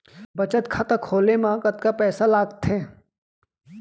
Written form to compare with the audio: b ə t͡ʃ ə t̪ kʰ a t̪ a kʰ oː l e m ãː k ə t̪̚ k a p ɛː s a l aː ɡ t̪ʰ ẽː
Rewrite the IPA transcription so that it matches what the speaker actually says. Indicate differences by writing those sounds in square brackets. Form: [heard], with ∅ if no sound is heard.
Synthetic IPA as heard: b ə t͡ʃ ə t̪ kʰ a t̪ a kʰ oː l e m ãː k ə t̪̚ k a p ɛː s a l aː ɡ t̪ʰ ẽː